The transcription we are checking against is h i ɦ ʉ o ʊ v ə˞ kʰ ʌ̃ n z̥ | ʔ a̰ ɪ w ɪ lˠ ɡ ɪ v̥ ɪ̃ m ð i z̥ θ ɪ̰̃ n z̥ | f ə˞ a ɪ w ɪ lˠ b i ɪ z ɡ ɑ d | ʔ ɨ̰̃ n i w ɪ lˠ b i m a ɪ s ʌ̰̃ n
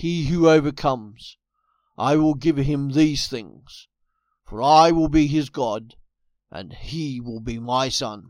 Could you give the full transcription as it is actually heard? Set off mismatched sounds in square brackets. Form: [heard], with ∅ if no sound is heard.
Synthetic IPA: h i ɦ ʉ o ʊ v ə˞ kʰ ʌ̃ [m] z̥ | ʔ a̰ ɪ w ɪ lˠ ɡ ɪ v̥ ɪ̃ m ð i z̥ θ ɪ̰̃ [ŋ] z̥ | f ə˞ a ɪ w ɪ lˠ b i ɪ z ɡ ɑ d | ʔ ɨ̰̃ n i w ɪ lˠ b i m a ɪ s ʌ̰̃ n